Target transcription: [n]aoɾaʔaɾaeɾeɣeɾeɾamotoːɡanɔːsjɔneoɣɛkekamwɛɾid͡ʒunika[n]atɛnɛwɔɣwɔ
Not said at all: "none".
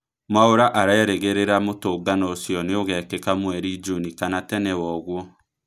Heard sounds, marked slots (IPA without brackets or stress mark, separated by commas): m, n